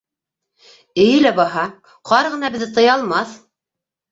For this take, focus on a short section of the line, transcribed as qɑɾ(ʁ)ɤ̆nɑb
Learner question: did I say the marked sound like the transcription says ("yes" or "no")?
yes